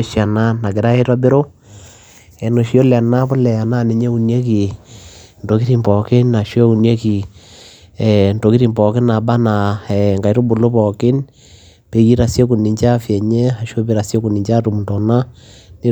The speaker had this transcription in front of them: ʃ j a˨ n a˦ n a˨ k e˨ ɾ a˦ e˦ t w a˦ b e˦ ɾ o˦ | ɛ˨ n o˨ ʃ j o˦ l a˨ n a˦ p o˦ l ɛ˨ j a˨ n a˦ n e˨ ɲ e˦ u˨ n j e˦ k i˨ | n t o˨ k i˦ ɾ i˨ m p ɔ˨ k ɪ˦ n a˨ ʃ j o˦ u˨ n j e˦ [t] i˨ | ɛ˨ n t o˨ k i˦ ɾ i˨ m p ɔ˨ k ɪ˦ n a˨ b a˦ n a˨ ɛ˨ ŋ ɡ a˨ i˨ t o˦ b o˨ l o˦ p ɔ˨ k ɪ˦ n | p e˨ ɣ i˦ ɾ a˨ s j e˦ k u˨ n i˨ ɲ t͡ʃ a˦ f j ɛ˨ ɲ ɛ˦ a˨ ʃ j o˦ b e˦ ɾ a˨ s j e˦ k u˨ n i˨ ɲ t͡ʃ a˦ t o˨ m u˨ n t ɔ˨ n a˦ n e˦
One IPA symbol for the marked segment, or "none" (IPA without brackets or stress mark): k